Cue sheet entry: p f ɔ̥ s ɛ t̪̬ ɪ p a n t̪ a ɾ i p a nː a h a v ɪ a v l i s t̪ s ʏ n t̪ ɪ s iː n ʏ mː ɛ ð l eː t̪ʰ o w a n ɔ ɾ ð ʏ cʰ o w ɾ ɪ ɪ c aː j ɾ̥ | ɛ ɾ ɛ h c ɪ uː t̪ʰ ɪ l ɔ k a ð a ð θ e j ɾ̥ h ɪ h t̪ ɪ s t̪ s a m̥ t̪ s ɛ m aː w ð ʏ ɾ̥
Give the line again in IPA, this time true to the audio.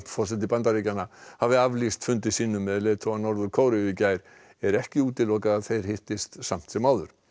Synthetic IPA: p f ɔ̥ s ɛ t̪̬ ɪ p a n t̪ a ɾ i c a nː a h a v ɪ a v l i s t̪ f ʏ n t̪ ɪ s iː n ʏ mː ɛ ð l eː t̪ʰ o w a n ɔ ɾ ð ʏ kʰ o w ɾ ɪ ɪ c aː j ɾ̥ | ɛ ɾ ɛ h c ɪ uː t̪ ɪ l ɔ k a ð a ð θ e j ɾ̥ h ɪ h t̪ ɪ s t̪ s a m̥ t̪ s ɛ m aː w ð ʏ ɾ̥